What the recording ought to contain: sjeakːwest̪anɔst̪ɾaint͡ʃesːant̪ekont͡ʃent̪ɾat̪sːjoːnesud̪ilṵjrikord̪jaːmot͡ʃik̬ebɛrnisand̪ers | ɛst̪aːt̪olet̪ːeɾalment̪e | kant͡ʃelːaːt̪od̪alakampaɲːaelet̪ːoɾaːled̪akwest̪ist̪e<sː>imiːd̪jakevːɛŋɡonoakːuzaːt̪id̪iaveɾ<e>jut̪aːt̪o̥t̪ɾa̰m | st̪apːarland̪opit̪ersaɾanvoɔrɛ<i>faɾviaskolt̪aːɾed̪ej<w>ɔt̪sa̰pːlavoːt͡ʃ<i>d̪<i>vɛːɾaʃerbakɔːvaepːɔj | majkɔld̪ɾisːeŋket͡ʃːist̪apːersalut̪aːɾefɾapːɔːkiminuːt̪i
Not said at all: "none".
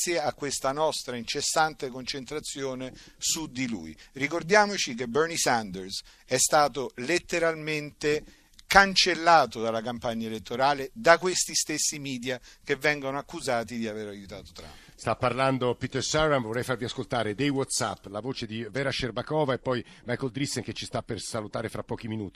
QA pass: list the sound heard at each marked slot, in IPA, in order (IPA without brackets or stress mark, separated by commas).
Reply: sː, a, j, w, e, i